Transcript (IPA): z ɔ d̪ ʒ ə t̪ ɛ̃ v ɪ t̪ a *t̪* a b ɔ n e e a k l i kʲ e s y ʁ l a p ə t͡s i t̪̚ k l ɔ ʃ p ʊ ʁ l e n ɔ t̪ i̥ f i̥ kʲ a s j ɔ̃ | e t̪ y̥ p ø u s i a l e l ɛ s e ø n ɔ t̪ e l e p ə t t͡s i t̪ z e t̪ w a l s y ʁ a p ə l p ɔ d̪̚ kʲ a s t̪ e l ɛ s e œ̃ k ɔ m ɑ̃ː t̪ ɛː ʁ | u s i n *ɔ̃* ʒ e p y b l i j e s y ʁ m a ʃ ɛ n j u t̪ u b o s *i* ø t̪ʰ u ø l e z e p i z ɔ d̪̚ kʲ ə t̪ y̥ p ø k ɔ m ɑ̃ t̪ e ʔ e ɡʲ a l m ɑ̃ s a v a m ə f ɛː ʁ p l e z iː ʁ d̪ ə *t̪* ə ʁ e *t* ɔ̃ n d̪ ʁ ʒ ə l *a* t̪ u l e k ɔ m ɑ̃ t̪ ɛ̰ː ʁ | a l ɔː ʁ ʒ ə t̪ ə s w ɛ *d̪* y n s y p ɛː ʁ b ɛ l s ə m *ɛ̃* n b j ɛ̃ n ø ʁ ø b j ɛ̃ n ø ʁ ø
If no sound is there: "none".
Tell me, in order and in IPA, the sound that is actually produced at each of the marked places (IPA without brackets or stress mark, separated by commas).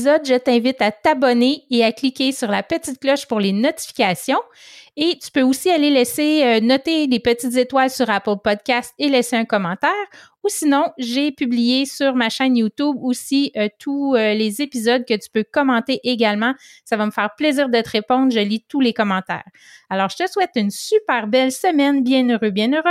t̪, ɔ̃, i, t̪, p, i, t̪, ɛ